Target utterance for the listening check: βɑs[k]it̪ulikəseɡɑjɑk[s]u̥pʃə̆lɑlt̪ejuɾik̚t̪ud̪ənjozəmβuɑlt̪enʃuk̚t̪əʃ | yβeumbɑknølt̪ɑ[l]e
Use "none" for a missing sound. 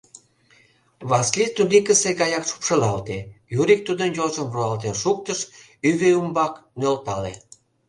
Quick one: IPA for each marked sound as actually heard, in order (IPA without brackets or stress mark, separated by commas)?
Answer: k, ʃ, l